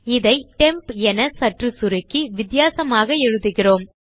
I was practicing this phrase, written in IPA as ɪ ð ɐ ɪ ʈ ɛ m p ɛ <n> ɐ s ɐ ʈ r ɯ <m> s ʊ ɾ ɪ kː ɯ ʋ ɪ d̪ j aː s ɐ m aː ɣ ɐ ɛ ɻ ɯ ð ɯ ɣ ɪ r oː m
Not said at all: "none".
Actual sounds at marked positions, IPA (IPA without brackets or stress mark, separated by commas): n, none